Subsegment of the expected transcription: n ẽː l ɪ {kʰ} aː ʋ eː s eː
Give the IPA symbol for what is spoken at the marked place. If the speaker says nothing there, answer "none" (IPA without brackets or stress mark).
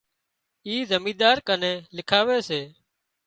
kʰ